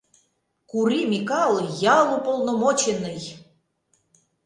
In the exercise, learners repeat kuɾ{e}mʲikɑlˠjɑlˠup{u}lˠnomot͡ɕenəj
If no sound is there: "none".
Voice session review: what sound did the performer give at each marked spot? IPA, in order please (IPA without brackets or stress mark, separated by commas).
i, o